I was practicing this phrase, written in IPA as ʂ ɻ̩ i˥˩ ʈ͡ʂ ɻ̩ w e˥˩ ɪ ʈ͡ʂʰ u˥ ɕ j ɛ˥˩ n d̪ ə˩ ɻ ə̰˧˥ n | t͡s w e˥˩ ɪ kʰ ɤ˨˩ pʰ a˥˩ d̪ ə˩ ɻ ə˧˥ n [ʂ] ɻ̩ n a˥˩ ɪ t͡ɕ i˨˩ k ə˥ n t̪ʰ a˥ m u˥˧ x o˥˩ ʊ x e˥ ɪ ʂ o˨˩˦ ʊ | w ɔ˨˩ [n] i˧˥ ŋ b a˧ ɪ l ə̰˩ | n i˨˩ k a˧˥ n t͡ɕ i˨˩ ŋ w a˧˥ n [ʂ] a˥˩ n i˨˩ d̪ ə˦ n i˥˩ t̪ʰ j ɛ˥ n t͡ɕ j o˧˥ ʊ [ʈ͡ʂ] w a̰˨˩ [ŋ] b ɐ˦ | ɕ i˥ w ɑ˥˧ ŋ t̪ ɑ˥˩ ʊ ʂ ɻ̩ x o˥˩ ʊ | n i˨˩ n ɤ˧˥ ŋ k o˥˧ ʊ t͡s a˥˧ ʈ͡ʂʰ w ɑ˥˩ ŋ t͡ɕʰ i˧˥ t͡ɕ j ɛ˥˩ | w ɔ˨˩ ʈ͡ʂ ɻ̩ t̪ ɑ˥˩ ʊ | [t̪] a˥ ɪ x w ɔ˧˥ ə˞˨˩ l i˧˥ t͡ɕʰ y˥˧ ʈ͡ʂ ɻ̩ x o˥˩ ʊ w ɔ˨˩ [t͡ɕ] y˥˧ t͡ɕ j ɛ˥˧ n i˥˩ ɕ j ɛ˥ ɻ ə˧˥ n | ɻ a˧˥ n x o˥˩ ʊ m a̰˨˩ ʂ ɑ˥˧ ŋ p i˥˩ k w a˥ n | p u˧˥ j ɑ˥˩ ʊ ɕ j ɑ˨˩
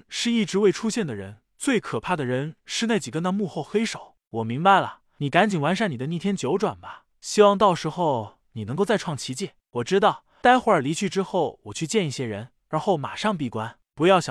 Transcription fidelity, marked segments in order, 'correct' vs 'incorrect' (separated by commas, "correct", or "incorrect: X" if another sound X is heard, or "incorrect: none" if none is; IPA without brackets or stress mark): correct, incorrect: m, correct, correct, incorrect: n, correct, incorrect: t͡ɕʰ